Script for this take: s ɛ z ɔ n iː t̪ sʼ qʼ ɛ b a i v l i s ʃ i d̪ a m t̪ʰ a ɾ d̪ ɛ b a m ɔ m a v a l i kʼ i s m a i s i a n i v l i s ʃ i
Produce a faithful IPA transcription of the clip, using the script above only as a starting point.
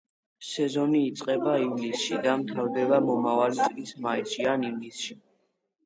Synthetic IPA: s ɛ z ɔ n iː t̪ sʼ qʼ ɛ b a i v l i s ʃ i d̪ a m t̪ʰ a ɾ d̪ ɛ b a m ɔ m a v a l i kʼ i s m a i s i a n i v l i s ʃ i